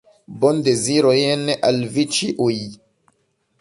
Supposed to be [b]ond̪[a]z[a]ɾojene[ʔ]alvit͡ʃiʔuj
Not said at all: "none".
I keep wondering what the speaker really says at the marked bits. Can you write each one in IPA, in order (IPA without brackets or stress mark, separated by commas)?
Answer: b, e, i, ʔ